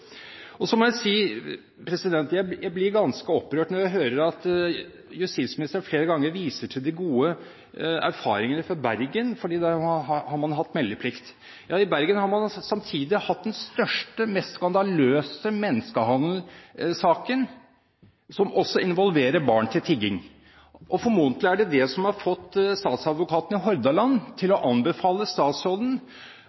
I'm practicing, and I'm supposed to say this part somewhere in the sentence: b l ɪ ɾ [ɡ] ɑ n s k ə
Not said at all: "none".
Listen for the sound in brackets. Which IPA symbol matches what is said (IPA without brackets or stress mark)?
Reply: ɡ